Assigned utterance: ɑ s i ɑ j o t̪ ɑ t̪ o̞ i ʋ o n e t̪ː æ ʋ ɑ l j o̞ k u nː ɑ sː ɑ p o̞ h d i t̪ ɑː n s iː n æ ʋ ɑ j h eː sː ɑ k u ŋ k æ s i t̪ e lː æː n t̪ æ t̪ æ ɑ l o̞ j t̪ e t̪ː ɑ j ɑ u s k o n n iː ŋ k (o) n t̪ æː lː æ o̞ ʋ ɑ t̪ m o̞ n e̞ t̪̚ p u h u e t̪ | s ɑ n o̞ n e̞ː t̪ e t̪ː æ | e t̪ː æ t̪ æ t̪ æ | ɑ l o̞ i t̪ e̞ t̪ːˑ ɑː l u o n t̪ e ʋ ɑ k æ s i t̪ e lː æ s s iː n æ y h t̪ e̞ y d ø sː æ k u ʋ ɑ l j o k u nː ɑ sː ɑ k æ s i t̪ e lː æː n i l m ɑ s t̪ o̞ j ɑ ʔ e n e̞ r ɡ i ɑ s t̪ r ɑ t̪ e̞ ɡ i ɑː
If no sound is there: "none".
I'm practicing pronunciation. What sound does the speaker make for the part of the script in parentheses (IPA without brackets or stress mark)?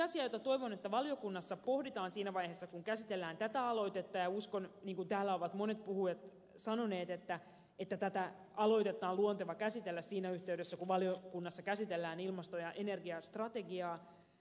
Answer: u